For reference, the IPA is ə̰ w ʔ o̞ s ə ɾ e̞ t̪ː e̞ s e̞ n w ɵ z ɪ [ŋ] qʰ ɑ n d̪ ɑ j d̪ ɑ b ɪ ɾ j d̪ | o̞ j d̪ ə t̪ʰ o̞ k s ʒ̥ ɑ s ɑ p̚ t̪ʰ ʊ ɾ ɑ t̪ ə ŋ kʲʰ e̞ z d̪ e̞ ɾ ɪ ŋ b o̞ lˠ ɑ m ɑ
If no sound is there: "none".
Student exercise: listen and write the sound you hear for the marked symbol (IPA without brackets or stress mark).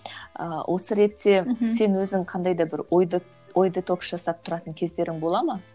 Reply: ŋ